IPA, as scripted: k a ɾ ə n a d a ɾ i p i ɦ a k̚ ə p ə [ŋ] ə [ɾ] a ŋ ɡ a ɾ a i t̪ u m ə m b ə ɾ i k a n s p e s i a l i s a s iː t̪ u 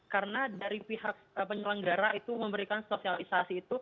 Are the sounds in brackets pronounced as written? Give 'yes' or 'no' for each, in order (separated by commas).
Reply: no, no